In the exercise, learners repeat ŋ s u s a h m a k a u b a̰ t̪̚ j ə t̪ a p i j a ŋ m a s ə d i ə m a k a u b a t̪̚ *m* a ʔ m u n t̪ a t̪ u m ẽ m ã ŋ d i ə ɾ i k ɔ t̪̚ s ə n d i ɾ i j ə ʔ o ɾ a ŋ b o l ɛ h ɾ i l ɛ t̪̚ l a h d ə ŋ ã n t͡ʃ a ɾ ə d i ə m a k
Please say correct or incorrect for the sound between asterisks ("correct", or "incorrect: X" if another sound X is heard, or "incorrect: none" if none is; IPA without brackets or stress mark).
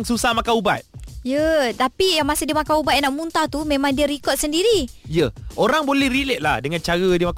incorrect: n